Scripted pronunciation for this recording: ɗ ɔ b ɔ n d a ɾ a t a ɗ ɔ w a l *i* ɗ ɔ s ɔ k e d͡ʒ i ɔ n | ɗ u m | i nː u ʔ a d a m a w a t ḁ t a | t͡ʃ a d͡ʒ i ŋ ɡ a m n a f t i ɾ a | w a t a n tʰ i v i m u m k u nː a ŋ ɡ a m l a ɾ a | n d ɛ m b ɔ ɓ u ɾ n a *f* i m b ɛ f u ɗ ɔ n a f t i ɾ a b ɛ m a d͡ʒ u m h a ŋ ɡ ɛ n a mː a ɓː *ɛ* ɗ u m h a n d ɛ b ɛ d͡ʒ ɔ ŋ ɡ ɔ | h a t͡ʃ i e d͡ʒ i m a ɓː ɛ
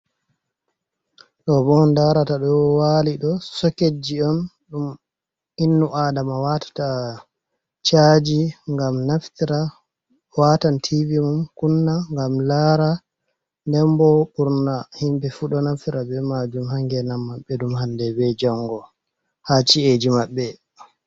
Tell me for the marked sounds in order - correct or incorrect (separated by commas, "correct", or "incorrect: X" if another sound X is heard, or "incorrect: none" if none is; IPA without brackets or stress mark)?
correct, incorrect: h, correct